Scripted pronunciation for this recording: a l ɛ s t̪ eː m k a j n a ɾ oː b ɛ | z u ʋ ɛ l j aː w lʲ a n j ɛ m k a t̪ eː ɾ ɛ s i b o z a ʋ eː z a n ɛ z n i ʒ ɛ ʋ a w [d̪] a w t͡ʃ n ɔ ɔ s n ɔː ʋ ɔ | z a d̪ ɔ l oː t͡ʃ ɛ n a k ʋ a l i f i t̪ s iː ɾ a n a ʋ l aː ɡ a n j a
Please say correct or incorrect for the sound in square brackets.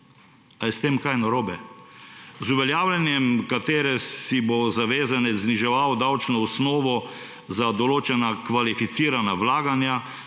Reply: correct